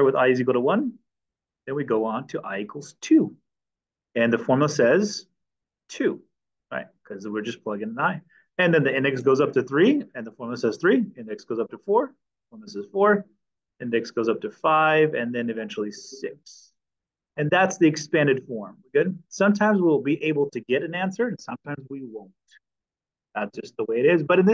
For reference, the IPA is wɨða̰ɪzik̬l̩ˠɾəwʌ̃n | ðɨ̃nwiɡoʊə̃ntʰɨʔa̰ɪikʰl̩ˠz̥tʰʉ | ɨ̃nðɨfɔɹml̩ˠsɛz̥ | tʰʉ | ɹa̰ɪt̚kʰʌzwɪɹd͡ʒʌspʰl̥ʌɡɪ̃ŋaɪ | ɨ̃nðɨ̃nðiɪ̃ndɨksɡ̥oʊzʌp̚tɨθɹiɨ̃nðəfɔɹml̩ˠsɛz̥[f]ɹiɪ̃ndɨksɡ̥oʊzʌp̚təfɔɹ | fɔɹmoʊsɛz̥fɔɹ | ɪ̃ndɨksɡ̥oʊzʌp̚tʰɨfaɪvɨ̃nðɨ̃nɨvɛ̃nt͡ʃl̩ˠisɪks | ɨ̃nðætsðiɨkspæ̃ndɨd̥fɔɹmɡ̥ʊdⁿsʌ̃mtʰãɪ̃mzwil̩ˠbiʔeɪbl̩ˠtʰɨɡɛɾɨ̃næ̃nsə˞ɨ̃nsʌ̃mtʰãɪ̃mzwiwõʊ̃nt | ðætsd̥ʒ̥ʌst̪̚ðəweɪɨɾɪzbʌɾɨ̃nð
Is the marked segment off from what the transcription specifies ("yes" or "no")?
yes